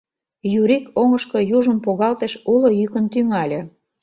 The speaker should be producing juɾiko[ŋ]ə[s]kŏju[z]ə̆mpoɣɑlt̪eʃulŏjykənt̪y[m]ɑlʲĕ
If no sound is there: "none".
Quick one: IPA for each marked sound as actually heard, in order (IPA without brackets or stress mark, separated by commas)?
ŋ, ʃ, ʒ, ŋ